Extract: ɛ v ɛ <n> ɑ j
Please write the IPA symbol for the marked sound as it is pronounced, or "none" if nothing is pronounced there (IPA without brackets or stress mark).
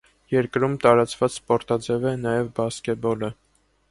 n